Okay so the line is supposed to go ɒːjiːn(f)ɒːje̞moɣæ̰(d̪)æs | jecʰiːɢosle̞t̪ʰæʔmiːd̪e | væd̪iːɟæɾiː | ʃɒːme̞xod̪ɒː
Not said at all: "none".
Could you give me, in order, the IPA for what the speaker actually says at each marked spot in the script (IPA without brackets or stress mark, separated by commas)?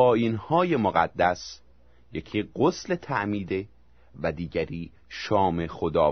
h, d̪ː